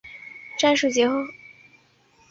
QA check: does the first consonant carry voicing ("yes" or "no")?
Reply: no